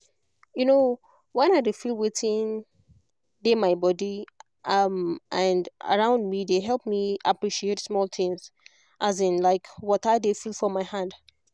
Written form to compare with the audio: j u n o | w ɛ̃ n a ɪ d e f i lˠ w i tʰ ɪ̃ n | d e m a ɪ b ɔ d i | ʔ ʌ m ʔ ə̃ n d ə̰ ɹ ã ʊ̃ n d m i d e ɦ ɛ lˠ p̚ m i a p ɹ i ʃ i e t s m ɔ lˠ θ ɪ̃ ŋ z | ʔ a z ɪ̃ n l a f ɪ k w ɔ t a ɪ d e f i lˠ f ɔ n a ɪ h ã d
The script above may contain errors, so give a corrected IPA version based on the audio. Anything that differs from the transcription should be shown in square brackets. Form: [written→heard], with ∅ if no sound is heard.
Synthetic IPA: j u n o | w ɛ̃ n a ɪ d e f i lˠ w [i→e] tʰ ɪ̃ n | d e m a ɪ b ɔ d i | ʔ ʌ m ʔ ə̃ n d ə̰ ɹ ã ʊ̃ n d m i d e ɦ ɛ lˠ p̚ m i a p ɹ i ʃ i e t s m ɔ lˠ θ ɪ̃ ŋ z | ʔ a z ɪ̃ n l a [f→∅] ɪ k w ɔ t a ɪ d e f i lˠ f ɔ [n→m] a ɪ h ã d